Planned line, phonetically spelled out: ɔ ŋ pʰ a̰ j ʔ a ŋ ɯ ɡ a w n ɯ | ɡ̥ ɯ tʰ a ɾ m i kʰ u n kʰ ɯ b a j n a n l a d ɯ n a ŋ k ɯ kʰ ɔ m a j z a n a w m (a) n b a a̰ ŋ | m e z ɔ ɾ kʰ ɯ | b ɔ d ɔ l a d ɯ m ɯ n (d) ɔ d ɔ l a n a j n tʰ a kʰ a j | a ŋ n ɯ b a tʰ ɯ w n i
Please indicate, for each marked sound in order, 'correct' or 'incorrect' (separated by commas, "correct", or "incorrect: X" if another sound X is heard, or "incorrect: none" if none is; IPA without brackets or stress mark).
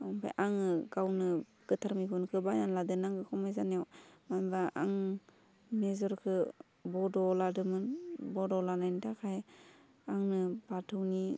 correct, incorrect: b